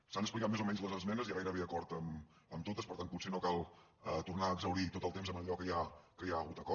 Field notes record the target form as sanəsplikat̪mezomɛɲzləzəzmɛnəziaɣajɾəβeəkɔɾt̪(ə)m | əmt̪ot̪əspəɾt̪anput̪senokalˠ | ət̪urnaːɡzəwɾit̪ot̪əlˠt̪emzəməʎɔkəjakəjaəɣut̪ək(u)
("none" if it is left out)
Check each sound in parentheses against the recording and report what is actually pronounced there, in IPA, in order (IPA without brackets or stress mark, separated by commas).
ə, ɔ